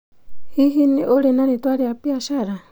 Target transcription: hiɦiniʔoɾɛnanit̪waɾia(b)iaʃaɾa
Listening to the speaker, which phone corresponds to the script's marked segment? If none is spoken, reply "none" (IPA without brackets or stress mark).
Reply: p